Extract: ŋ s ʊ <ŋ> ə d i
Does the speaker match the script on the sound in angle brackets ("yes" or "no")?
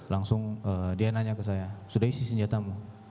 yes